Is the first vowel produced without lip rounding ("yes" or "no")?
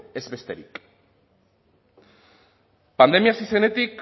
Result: yes